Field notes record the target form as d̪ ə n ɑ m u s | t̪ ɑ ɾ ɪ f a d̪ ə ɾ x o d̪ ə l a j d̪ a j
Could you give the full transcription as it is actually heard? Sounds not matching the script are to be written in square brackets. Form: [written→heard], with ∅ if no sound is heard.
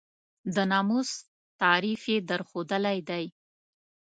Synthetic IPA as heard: d̪ ə n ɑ m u s | t̪ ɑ ɾ [ɪ→i] f [a→e] d̪ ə ɾ x o d̪ ə l a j d̪ a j